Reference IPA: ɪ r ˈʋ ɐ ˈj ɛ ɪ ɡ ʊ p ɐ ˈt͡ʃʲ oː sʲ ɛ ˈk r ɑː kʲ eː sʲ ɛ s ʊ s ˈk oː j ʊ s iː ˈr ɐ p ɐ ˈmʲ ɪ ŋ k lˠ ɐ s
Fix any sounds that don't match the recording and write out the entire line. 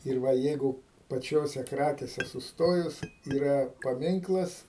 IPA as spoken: ɪ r ˈʋ ɐ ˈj ɛ ɪ ɡ ʊ p ɐ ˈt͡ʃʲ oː sʲ ɛ ˈk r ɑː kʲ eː sʲ ɛ s ʊ s ˈt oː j ʊ s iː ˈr ɐ p ɐ ˈmʲ ɪ ŋ k lˠ ɐ s